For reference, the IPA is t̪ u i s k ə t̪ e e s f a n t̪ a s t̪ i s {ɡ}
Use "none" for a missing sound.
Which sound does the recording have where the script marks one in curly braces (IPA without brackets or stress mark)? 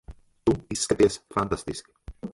k